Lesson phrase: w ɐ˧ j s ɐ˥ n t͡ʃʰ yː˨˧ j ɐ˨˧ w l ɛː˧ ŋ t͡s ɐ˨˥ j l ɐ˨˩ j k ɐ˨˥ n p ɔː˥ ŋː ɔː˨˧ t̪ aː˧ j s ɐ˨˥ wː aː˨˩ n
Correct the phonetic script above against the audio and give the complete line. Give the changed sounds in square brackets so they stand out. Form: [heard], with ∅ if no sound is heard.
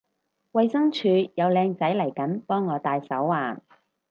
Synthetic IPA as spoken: w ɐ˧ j s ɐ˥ [ŋ] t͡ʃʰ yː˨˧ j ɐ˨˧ w l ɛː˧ ŋ t͡s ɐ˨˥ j l ɐ˨˩ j k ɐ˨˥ n p ɔː˥ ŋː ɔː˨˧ t̪ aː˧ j s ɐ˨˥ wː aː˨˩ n

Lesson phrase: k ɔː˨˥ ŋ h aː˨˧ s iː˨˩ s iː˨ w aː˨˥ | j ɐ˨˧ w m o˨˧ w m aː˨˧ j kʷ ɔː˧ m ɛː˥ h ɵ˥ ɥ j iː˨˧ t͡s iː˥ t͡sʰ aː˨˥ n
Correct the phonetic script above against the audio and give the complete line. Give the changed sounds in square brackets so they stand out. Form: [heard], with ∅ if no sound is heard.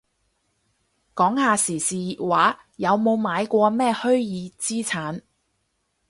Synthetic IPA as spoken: k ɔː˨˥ ŋ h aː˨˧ s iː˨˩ s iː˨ w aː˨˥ | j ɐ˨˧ w m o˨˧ w m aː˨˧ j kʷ ɔː˧ m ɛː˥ h ɵ˥ ɥ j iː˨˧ t͡s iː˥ t͡sʰ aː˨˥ n

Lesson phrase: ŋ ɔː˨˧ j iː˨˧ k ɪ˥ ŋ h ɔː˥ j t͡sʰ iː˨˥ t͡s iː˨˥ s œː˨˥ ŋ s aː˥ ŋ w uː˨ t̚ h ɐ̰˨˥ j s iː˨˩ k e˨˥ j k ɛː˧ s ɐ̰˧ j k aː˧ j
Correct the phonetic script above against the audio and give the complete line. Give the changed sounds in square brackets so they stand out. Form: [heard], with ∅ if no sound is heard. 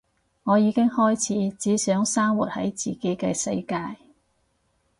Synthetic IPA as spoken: ŋ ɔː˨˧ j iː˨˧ k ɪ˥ ŋ h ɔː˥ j t͡sʰ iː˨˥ t͡s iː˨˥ s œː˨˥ ŋ s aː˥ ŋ w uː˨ t̚ h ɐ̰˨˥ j [t͡s] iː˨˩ k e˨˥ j k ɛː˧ s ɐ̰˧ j k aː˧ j

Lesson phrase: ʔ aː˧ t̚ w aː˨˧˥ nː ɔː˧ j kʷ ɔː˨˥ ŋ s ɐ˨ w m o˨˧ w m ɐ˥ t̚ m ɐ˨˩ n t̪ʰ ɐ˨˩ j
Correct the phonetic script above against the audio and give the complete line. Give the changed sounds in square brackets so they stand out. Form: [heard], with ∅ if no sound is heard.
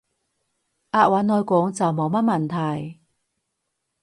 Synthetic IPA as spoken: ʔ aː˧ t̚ w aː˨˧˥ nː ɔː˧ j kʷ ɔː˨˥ ŋ [t͡s] ɐ˨ w m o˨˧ w m ɐ˥ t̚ m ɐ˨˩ n t̪ʰ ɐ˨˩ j

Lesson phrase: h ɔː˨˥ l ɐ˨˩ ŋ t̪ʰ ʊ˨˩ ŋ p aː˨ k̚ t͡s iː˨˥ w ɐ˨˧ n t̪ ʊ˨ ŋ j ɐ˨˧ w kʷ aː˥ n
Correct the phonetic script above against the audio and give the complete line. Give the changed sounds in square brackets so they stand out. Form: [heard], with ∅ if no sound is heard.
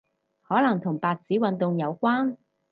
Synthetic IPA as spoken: h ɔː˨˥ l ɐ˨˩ ŋ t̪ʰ ʊ˨˩ ŋ p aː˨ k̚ t͡s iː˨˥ w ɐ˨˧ n t̪ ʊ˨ ŋ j ɐ˨˧ w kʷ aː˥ n

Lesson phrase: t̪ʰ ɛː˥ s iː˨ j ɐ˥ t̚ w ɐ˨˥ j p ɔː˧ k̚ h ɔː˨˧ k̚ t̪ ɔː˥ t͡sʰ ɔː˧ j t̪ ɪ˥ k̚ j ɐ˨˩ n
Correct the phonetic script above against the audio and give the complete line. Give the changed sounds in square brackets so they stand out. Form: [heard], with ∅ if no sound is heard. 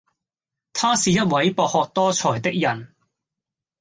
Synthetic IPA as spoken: t̪ʰ [aː˥] s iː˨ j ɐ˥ t̚ w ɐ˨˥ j p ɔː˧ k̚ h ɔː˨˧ k̚ t̪ ɔː˥ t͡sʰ [ɔː˨˩] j t̪ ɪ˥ k̚ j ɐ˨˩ n

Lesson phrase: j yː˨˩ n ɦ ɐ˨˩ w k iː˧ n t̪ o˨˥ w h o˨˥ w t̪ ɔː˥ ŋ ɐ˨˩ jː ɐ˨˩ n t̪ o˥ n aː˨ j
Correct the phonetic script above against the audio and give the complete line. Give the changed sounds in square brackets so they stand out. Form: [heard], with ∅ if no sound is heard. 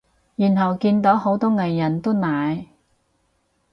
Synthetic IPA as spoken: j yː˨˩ n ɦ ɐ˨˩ w k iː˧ n t̪ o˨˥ w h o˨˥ w t̪ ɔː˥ ŋ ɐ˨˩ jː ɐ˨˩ n t̪ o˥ n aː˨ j

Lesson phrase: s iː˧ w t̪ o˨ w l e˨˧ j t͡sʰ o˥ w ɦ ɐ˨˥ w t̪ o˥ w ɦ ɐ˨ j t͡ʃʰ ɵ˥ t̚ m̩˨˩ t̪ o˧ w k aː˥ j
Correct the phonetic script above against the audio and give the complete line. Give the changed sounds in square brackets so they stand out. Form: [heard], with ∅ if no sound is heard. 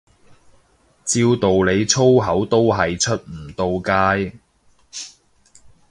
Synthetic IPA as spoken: [t͡s] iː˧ w t̪ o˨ w l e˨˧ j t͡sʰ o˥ w ɦ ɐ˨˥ w t̪ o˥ w ɦ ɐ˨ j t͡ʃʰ ɵ˥ t̚ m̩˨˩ t̪ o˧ w k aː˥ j

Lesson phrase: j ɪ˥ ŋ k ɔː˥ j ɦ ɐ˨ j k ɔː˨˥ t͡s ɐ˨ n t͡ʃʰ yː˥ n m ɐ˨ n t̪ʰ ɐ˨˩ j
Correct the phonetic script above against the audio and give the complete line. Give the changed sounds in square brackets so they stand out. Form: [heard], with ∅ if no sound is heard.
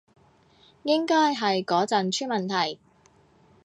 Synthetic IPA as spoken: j ɪ˥ ŋ k ɔː˥ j ɦ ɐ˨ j k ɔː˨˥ t͡s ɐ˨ n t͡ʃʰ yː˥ n m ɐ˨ n t̪ʰ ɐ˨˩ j

